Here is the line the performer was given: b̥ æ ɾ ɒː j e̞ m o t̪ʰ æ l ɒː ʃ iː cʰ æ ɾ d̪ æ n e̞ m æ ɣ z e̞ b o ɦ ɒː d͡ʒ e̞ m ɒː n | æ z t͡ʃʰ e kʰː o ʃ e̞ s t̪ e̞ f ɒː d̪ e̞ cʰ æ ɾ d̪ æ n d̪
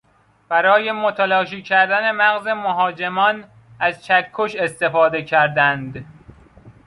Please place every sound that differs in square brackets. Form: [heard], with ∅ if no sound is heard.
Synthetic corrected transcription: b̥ æ ɾ ɒː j e̞ m o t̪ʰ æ l ɒː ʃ iː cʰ æ ɾ d̪ æ n e̞ m æ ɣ z e̞ [m] o ɦ ɒː d͡ʒ e̞ m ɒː n | æ z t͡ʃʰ [æ] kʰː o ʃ e̞ s t̪ e̞ f ɒː d̪ e̞ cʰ æ ɾ d̪ æ n d̪